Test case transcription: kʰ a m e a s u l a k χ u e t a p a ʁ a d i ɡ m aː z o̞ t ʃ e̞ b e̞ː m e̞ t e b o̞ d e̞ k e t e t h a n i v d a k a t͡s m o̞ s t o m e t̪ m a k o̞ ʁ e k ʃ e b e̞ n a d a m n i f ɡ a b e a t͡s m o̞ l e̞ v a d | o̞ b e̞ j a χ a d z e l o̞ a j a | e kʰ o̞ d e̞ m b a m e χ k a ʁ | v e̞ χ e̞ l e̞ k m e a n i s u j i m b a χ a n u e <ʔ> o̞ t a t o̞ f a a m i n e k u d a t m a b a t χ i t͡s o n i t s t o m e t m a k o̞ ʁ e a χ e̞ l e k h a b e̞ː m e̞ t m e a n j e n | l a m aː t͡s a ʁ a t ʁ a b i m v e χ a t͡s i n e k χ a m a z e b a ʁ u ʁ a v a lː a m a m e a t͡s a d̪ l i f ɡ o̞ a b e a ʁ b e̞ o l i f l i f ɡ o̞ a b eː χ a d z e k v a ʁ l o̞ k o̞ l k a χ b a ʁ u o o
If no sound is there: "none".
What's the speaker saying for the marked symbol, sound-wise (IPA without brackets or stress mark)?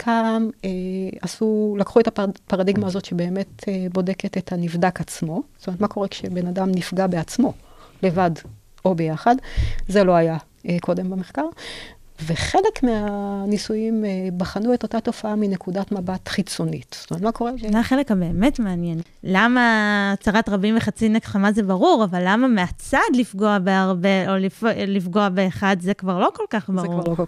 t